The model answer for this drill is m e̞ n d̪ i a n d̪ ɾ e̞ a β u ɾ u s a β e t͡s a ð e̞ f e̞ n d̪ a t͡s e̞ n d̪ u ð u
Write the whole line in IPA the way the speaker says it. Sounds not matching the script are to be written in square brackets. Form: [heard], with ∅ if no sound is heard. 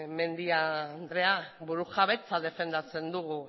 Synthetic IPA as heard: m e̞ n d̪ i a n d̪ ɾ e̞ a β u ɾ u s a β e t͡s a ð e̞ f e̞ n d̪ a t͡s e̞ n d̪ u [ɣ] u